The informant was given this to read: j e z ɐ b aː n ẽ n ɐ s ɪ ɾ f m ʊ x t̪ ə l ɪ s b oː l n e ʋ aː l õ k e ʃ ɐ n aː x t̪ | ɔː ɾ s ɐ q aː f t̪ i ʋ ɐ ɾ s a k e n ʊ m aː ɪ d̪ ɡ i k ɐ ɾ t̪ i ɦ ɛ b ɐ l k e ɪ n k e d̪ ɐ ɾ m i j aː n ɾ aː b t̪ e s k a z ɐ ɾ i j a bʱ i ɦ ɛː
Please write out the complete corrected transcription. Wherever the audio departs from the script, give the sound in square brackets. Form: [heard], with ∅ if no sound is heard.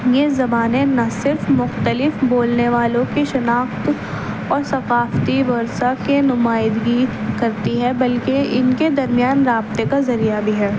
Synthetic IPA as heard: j e z ɐ b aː n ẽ n ɐ s ɪ ɾ f m ʊ x t̪ ə l ɪ [f] b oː l n e ʋ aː l õ k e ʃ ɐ n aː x t̪ | ɔː ɾ s ɐ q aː f t̪ i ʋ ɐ ɾ s a k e n ʊ m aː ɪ d̪ ɡ i k ɐ ɾ t̪ i ɦ ɛ b ɐ l k e ɪ n k e d̪ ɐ ɾ m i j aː n ɾ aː b t̪ e [∅] k a z ɐ ɾ i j a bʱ i ɦ ɛː

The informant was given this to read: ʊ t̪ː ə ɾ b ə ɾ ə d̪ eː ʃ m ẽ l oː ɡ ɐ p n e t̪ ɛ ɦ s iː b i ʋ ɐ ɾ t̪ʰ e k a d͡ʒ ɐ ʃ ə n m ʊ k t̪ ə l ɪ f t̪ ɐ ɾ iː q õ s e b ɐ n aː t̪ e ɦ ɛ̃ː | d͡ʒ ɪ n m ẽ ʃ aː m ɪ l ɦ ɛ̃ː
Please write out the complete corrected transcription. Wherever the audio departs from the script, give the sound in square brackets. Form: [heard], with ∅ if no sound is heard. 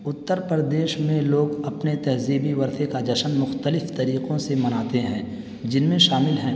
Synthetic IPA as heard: ʊ t̪ː ə ɾ [p] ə ɾ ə d̪ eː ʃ m ẽ l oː ɡ ɐ p n e t̪ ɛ ɦ [z] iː b i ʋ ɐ ɾ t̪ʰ e k a d͡ʒ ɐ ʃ ə n m ʊ [x] t̪ ə l ɪ f t̪ ɐ ɾ iː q õ s e [m] ɐ n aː t̪ e ɦ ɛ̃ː | d͡ʒ ɪ n m ẽ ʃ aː m ɪ l ɦ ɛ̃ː

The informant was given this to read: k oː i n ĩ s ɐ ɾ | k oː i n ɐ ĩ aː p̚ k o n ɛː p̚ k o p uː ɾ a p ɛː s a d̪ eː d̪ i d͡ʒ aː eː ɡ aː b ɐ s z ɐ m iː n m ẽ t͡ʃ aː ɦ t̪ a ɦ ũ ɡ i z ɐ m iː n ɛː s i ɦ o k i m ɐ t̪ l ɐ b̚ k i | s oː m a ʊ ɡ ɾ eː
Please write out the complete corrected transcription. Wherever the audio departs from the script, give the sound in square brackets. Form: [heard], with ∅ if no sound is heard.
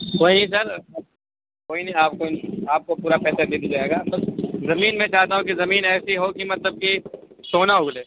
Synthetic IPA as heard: k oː i n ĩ s ɐ ɾ | k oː i n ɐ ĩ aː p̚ k o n [aː] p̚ k o p uː ɾ a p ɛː s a d̪ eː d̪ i d͡ʒ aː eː ɡ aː b ɐ s z ɐ m iː n m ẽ t͡ʃ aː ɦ t̪ a ɦ ũ [k] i z ɐ m iː n ɛː s i ɦ o k i m ɐ t̪ l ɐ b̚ k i | s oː [n] a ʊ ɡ [l] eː

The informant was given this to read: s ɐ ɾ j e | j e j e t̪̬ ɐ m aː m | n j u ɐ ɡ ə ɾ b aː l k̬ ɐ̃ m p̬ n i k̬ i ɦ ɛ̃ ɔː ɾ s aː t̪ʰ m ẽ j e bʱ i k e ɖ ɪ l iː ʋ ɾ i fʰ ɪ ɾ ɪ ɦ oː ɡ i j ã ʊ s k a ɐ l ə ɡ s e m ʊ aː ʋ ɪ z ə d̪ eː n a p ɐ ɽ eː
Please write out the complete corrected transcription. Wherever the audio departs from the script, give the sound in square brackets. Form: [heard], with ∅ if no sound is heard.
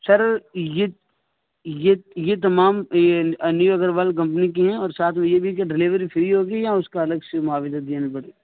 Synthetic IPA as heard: s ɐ ɾ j e | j e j e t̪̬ ɐ m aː m | n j u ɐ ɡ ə ɾ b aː l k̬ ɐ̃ m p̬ n i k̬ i ɦ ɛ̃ ɔː ɾ s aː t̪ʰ m ẽ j e bʱ i k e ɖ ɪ l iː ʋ ɾ i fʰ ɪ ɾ [i] ɦ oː ɡ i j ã ʊ s k a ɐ l ə ɡ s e m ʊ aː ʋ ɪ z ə d̪ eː n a p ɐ ɽ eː

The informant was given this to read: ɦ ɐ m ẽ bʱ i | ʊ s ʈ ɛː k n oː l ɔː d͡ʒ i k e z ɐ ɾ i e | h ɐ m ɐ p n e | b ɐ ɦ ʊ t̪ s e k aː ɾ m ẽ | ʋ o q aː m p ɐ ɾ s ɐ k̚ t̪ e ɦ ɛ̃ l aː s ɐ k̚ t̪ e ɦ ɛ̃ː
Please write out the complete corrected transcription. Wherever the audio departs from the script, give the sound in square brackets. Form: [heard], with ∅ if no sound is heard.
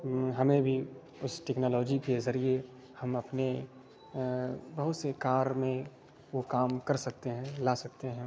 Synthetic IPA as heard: ɦ ɐ m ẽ bʱ i | ʊ s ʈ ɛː k n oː l ɔː d͡ʒ i k e z ɐ ɾ i e | h ɐ m ɐ p n e | b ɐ ɦ ʊ t̪ s e k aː ɾ m ẽ | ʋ o [k] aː m [k] ɐ ɾ s ɐ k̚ t̪ e ɦ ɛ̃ l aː s ɐ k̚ t̪ e ɦ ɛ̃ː

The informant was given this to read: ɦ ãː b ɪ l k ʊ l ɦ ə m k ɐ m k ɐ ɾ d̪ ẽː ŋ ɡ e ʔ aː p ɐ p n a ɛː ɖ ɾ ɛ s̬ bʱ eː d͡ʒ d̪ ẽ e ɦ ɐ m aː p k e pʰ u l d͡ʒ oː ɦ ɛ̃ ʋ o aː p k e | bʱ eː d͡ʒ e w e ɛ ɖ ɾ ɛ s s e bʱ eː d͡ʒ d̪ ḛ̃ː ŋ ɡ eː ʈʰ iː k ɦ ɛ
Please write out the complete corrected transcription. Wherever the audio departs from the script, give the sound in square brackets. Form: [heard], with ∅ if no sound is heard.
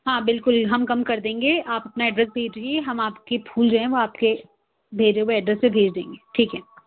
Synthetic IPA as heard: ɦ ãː b ɪ l k ʊ l ɦ [ɐ] m k ɐ m k ɐ ɾ d̪ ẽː ŋ ɡ e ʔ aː p ɐ p n a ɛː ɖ ɾ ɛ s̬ bʱ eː d͡ʒ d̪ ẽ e ɦ ɐ m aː p k e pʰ [uː] l d͡ʒ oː ɦ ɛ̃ ʋ o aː p k e | bʱ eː d͡ʒ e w e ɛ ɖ ɾ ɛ s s e bʱ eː d͡ʒ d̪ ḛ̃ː ŋ ɡ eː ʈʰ iː k ɦ ɛ

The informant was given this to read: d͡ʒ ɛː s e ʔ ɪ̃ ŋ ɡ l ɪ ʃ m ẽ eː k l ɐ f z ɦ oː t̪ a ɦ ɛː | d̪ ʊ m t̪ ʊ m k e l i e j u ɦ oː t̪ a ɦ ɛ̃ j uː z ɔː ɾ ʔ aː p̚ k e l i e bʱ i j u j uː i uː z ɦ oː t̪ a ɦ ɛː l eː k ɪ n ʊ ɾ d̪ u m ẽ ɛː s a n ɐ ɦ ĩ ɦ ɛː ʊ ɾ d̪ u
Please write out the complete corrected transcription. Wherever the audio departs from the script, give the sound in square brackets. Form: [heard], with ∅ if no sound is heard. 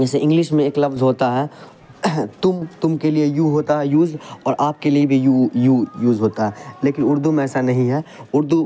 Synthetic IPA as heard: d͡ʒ ɛː s e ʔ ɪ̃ ŋ ɡ l ɪ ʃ m ẽ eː k l ɐ f z ɦ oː t̪ a ɦ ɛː | [t̪] ʊ m t̪ ʊ m k e l i e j u ɦ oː t̪ a ɦ [ɛ] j uː z ɔː ɾ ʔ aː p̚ k e l i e bʱ i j u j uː [j] uː z ɦ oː t̪ a ɦ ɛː l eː k ɪ n ʊ ɾ d̪ u m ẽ ɛː s a n ɐ ɦ ĩ ɦ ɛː ʊ ɾ d̪ u

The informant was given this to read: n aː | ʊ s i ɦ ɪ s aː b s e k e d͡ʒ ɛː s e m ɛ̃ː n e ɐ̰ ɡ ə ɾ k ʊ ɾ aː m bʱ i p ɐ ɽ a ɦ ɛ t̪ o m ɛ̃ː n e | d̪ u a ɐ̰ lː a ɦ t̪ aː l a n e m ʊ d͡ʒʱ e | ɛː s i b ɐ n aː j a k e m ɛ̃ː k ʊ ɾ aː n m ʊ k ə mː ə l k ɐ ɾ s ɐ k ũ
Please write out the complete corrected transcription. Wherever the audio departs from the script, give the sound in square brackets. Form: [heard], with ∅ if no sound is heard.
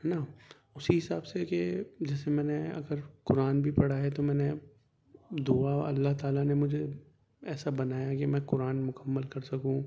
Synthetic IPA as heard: n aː | ʊ s i ɦ ɪ s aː b s e k e d͡ʒ ɛː s e m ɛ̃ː n e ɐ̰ ɡ ə ɾ k ʊ ɾ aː [n] bʱ i p ɐ ɽ a ɦ ɛ t̪ o m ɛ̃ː n e | d̪ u a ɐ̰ lː a ɦ t̪ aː l a n e m ʊ d͡ʒʱ e | ɛː s [a] b ɐ n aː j a k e m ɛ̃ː k ʊ ɾ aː n m ʊ k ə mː ə l k ɐ ɾ s ɐ k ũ

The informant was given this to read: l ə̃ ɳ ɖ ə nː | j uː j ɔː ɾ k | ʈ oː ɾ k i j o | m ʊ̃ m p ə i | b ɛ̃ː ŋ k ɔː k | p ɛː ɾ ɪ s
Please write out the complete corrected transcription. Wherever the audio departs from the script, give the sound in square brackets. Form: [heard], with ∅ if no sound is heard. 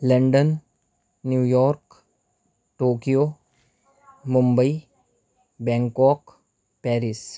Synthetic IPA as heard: l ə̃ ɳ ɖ ə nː | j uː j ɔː ɾ k | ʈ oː [∅] k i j o | m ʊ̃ m [b] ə i | b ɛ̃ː ŋ k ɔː k | p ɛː ɾ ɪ s

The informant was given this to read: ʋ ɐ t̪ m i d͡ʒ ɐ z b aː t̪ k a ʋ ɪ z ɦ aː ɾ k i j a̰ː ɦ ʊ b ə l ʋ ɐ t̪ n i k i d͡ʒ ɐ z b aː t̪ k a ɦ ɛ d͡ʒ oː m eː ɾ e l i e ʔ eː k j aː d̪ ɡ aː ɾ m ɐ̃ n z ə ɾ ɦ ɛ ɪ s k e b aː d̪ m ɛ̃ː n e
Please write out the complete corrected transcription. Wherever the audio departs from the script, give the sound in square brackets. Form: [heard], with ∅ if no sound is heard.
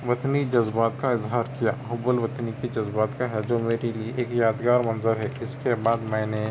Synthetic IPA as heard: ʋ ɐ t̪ [n] i d͡ʒ ɐ z b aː t̪ k a [∅] ɪ z ɦ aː ɾ k i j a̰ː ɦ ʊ b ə l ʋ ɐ t̪ n i k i d͡ʒ ɐ z b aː t̪ k a ɦ ɛ d͡ʒ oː m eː ɾ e l i e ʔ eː k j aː d̪ ɡ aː ɾ m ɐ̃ n z ə ɾ ɦ ɛ ɪ s k e b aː d̪ m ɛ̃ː n e

